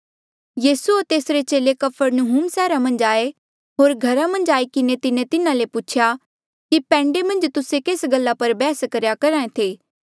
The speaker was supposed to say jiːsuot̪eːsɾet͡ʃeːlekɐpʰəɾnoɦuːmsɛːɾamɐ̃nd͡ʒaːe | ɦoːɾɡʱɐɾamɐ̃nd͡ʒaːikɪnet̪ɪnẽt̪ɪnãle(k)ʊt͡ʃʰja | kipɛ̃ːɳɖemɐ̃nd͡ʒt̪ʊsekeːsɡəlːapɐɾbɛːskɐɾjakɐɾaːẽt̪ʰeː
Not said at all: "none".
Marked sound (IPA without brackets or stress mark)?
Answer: p